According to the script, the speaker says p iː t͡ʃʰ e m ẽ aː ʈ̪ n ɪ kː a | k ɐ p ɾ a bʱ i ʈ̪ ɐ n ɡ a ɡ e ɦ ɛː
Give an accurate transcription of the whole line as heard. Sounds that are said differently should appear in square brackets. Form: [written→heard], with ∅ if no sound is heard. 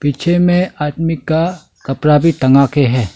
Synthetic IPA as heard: p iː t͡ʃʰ e m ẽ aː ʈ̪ [n→m] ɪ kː a | k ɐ p ɾ a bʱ i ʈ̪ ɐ [n→ŋ] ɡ a [ɡ→k] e ɦ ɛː

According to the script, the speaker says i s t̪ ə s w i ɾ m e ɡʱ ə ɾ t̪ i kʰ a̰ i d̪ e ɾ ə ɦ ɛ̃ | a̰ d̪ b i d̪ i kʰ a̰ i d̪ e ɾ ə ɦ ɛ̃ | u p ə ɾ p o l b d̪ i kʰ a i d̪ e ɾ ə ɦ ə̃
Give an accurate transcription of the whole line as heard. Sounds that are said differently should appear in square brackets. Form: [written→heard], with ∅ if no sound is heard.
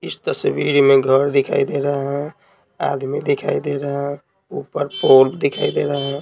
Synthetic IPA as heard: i s t̪ ə s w i ɾ m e ɡʱ ə ɾ [t̪→d̪] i kʰ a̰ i d̪ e ɾ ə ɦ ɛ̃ | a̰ d̪ [b→m] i d̪ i kʰ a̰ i d̪ e ɾ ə ɦ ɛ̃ | u p ə ɾ p o l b d̪ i kʰ a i d̪ e ɾ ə ɦ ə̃

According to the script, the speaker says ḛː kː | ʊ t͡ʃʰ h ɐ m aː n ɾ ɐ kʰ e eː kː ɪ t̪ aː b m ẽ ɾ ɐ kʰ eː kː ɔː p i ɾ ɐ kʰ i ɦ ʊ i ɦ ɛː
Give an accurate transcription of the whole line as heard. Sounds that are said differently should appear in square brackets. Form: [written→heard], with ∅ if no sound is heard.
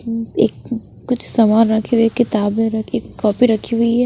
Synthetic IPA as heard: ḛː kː | ʊ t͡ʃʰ [h→s] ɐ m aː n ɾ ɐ kʰ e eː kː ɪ t̪ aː b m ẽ ɾ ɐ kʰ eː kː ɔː p i ɾ ɐ kʰ i ɦ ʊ i ɦ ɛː

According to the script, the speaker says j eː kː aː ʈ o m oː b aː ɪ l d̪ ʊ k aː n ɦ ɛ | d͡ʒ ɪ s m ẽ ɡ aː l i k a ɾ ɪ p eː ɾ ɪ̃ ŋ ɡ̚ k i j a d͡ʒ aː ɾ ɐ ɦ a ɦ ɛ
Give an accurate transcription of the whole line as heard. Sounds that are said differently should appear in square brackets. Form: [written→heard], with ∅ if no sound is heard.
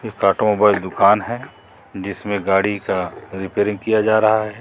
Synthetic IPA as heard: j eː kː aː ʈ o m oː b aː ɪ l d̪ ʊ k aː n ɦ ɛ | d͡ʒ ɪ s m ẽ ɡ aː [l→ɽ] i k a ɾ ɪ p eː ɾ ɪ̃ ŋ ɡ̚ k i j a d͡ʒ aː ɾ ɐ ɦ a ɦ ɛ

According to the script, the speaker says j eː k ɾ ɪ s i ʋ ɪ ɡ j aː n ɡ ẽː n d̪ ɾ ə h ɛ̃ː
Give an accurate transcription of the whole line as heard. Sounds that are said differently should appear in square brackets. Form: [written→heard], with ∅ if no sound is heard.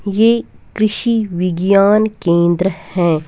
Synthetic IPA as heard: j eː k ɾ ɪ [s→ʃ] i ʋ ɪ ɡ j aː n [ɡ→k] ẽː n d̪ ɾ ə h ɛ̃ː

